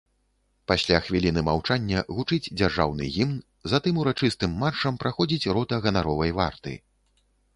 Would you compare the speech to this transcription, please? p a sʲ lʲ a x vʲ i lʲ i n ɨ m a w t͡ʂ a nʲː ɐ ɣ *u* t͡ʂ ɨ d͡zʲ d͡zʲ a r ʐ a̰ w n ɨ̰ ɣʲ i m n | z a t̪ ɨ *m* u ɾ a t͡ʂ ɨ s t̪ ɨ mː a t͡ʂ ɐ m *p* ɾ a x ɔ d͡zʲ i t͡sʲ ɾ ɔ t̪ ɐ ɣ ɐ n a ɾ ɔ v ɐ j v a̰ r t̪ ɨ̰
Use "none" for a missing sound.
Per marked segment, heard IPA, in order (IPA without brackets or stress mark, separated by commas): u, m, p